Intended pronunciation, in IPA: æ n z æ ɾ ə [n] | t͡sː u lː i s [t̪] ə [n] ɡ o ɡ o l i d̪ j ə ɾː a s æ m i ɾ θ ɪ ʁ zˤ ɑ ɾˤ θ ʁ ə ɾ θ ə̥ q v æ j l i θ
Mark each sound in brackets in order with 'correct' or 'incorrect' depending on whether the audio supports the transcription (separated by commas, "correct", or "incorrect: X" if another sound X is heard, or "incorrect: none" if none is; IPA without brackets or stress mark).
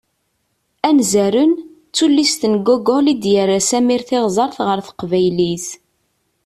correct, correct, correct